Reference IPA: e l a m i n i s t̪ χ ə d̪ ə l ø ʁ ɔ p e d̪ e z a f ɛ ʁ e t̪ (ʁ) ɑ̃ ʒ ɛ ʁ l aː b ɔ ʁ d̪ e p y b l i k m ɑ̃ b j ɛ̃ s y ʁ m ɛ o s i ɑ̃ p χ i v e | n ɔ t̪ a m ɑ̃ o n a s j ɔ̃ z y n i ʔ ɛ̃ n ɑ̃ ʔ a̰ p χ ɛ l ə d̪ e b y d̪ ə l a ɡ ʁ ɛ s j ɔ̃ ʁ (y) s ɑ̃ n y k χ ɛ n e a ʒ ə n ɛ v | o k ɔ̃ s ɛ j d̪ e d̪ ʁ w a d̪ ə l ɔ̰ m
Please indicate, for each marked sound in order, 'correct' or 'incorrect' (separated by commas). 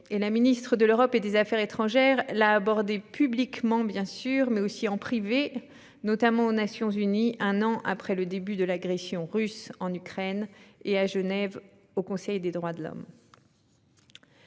incorrect, correct